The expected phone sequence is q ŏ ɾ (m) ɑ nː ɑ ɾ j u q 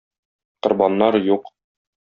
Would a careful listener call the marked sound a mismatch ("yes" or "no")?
yes